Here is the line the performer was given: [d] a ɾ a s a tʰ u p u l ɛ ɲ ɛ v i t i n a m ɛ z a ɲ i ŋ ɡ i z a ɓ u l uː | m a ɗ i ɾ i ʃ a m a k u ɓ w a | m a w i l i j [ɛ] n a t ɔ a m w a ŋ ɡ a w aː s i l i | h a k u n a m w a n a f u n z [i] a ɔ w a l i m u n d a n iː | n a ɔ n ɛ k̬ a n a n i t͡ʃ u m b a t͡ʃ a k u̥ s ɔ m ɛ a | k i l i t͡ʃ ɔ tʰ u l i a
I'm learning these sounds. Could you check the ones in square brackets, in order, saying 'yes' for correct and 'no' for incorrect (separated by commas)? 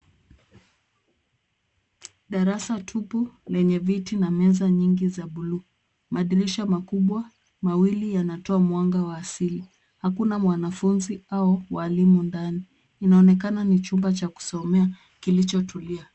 no, no, yes